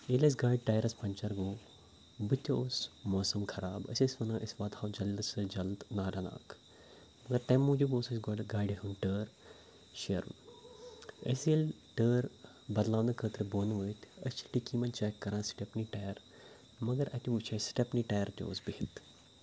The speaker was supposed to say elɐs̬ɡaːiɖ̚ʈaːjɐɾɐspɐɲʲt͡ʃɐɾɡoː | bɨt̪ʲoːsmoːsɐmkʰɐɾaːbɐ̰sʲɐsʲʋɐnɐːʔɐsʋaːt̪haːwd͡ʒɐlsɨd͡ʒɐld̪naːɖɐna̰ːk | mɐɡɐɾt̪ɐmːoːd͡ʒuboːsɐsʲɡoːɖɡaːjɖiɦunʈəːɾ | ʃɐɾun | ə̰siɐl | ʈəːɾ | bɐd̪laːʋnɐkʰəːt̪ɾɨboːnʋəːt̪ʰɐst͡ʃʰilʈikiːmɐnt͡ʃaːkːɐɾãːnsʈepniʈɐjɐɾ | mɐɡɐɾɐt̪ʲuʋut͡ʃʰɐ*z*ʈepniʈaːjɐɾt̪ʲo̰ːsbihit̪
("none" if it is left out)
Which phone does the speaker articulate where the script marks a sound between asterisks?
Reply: s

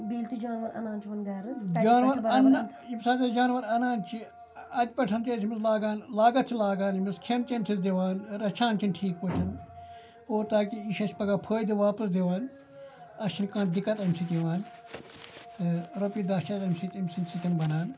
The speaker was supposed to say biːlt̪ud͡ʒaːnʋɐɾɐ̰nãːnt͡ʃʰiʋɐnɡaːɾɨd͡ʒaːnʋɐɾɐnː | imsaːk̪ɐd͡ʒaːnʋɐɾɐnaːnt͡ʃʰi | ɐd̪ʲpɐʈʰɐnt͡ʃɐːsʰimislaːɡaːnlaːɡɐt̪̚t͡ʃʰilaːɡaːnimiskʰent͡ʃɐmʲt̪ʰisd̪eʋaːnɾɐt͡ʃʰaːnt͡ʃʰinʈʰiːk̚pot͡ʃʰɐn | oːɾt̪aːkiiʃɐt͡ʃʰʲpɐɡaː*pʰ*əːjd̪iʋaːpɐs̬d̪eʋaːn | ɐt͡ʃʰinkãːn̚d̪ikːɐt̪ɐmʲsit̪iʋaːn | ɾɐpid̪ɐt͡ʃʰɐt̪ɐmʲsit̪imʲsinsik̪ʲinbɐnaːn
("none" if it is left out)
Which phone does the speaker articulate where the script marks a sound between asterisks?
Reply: pʰ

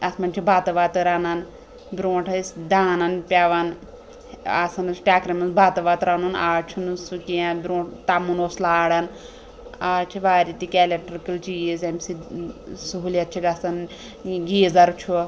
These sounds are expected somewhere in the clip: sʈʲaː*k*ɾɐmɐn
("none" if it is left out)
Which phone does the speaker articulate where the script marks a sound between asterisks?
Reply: k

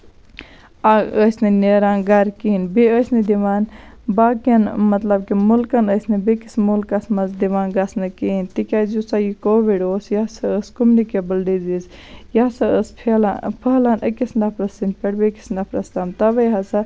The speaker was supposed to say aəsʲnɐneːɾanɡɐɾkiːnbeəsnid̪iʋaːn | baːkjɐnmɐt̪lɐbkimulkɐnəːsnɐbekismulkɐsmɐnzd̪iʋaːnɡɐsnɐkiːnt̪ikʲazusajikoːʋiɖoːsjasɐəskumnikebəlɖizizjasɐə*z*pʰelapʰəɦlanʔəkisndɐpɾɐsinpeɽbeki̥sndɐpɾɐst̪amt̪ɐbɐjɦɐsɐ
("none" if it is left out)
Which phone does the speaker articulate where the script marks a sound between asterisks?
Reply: s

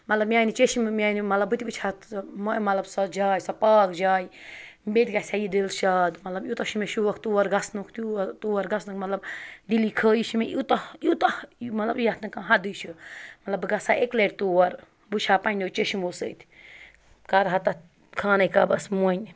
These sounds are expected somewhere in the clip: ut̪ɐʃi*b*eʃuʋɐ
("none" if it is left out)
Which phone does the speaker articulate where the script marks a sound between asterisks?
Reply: m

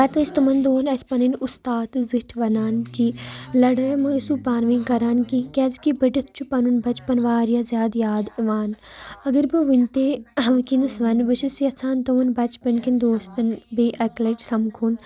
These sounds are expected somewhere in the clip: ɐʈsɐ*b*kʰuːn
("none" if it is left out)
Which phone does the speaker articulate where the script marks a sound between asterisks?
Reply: m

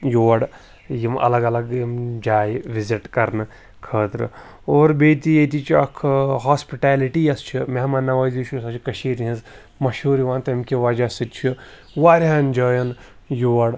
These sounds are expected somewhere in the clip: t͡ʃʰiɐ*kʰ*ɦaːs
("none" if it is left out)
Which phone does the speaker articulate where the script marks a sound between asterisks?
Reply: kʰ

